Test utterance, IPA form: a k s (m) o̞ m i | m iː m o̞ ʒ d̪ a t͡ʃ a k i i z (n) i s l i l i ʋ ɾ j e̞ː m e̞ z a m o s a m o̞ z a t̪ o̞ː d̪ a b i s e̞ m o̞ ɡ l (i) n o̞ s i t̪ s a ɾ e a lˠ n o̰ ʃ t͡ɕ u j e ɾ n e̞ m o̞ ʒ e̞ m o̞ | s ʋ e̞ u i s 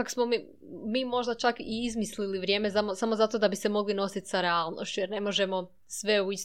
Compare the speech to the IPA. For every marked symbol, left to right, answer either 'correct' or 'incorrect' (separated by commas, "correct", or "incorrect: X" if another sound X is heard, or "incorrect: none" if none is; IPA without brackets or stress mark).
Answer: correct, incorrect: m, correct